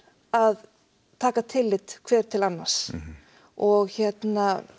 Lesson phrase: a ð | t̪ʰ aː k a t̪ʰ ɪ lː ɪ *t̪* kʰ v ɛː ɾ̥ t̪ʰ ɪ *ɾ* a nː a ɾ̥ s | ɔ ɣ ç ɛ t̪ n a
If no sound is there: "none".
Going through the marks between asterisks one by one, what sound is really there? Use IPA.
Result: t̪, l

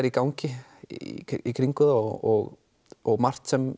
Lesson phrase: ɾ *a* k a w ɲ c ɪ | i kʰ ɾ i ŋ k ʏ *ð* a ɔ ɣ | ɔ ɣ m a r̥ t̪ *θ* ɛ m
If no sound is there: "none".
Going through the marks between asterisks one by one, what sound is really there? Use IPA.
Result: i, ð, s

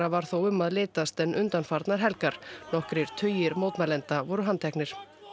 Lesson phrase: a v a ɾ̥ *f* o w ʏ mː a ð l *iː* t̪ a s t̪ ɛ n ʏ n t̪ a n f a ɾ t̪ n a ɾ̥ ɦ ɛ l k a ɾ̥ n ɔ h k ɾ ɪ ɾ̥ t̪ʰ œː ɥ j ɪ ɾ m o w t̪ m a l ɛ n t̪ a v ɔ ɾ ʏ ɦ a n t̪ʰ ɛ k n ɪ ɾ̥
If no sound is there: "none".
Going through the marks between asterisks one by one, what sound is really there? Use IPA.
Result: θ, ɪː

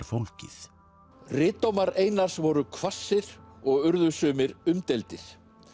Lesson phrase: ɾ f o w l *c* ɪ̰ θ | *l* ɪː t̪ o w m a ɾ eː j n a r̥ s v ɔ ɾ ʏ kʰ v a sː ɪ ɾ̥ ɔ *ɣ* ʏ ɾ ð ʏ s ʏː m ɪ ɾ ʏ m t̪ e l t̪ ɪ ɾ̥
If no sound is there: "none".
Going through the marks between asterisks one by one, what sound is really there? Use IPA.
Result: c, r, ɣ

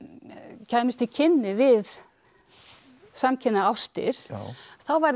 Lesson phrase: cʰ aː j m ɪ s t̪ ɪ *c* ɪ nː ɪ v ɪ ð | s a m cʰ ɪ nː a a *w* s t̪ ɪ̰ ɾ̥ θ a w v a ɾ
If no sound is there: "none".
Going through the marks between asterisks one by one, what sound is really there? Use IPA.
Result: cʰ, w

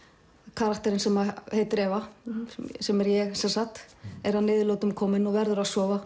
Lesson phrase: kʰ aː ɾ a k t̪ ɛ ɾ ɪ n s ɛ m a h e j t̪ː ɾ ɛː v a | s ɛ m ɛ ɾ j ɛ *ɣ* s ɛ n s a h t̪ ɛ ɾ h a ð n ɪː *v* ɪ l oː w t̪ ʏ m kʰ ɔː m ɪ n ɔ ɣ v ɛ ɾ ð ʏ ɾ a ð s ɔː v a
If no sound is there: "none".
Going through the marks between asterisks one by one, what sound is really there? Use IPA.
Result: ɣ, ð

